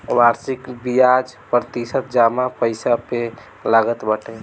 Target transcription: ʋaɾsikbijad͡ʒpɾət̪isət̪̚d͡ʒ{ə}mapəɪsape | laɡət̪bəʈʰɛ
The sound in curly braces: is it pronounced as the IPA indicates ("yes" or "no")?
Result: no